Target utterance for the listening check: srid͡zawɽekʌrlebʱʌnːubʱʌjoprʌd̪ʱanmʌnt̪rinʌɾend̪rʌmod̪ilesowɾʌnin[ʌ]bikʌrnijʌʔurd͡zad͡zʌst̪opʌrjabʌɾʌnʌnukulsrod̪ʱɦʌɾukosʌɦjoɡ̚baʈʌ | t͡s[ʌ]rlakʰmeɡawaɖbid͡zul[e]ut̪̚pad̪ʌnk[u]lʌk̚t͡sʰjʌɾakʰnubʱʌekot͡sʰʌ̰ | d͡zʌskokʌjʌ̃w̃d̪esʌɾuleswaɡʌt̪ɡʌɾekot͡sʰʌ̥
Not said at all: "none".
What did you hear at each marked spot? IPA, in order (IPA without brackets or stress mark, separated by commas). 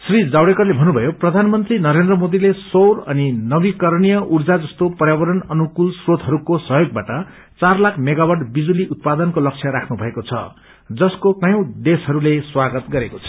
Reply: ʌ, a, i, o